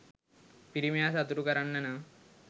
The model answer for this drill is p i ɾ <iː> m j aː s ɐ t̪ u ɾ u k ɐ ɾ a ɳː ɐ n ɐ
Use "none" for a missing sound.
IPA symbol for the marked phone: i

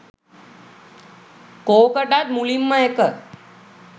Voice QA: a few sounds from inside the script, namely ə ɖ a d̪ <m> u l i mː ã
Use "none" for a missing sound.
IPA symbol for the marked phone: m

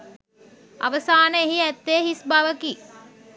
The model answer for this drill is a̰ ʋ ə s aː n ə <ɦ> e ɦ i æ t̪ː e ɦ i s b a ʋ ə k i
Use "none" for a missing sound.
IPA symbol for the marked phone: none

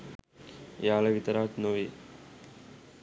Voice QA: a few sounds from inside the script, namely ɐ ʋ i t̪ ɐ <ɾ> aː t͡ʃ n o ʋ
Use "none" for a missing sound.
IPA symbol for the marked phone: ɾ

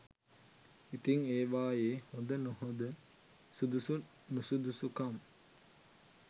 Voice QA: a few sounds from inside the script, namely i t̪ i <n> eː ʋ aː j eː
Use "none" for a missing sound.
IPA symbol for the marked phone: ŋ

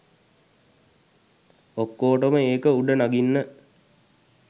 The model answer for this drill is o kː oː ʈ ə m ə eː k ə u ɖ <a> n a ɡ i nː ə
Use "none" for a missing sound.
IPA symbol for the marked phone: ə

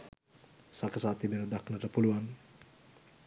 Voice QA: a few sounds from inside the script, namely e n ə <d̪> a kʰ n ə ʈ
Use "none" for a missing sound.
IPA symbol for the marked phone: d̪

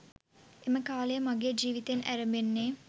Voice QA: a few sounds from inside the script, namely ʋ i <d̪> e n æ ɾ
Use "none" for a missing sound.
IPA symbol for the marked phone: t̪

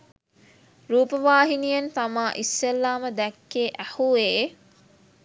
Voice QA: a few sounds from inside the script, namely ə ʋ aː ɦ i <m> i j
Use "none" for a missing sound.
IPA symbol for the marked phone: n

